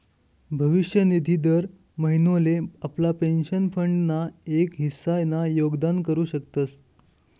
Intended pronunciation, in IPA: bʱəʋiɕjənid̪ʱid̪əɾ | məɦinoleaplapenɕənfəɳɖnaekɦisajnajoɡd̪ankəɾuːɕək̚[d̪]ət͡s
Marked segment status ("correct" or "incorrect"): incorrect